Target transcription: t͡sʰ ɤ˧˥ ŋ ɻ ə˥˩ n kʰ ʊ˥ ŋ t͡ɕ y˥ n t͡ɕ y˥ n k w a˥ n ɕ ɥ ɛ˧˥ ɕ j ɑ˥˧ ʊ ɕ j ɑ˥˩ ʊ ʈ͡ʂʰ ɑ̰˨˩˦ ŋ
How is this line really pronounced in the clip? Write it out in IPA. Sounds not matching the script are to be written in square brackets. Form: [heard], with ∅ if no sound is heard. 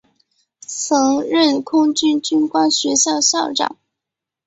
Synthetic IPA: t͡sʰ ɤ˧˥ ŋ ɻ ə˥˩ n kʰ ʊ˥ ŋ t͡ɕ y˥ n t͡ɕ y˥ n k w a˥ n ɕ ɥ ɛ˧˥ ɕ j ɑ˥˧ ʊ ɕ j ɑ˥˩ ʊ [ʈ͡ʂ] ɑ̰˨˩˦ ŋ